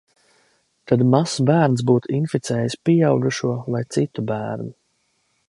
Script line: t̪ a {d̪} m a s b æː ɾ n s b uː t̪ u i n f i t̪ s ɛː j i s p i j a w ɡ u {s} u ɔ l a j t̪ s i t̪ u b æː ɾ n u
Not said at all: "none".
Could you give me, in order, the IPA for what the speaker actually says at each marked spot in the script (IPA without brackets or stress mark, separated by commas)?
d̪, ʃ